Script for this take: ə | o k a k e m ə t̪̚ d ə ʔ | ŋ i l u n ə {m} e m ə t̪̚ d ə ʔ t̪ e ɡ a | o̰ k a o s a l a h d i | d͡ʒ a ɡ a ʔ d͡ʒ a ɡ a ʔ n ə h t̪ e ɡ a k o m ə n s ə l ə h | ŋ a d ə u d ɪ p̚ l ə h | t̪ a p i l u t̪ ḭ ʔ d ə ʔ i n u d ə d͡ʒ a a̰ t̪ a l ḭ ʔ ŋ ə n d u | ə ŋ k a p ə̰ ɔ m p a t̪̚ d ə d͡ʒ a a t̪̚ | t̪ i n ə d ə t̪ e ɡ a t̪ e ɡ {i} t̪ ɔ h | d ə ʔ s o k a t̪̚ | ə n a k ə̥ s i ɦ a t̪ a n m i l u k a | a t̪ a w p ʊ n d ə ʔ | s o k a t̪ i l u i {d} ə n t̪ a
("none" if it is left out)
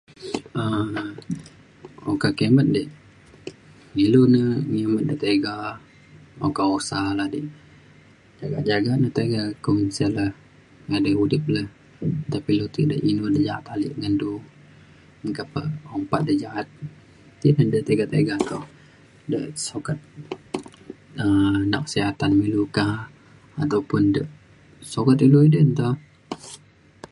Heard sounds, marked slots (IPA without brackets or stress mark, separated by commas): ŋ, a, d